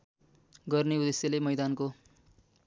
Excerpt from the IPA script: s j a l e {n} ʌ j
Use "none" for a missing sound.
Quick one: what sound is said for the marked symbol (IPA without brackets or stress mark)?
m